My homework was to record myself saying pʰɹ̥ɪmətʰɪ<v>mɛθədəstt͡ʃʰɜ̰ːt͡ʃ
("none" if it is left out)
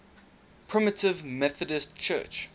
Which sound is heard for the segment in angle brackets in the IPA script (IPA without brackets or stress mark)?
v